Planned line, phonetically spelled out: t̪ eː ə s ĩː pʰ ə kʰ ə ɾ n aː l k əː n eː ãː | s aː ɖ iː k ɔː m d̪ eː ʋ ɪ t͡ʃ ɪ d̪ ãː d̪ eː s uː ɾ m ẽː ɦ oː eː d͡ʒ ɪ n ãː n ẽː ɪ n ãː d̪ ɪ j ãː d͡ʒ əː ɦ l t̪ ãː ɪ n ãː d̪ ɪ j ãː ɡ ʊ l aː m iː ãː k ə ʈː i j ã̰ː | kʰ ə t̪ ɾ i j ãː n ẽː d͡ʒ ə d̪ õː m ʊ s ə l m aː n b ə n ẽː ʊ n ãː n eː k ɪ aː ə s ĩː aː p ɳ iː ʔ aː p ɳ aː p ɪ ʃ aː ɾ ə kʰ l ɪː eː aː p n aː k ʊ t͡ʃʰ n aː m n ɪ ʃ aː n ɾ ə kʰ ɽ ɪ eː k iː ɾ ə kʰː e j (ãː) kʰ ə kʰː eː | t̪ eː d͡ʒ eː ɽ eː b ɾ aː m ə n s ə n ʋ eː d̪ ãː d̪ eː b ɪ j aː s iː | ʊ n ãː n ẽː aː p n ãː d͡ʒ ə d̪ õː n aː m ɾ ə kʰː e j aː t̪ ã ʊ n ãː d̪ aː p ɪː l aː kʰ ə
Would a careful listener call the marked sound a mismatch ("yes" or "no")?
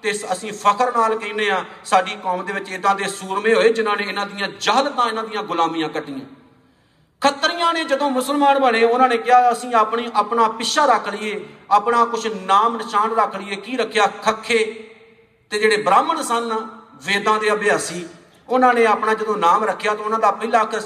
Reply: yes